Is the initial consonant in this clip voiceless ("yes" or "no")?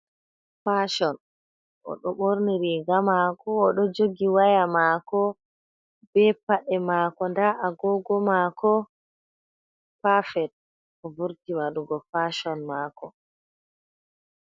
yes